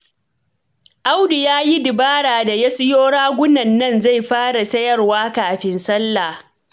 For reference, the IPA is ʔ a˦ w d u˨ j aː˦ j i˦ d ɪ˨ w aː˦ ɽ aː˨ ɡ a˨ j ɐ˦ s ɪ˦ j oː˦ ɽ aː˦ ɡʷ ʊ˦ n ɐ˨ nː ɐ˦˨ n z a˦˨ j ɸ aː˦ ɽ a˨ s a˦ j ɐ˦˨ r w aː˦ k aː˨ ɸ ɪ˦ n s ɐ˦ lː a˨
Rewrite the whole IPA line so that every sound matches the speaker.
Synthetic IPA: ʔ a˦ w d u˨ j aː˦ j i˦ d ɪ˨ b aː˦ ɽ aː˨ d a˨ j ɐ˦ s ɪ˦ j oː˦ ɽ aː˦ ɡʷ ʊ˦ n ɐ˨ nː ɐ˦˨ n z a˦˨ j ɸ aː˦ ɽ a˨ s ɐ˦ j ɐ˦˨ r w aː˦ k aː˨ ɸ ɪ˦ n s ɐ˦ lː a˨